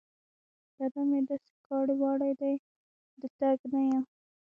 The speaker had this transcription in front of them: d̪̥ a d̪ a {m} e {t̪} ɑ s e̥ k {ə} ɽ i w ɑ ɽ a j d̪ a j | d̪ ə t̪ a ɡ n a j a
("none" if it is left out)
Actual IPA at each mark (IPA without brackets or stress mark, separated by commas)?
m, d̪, ɑ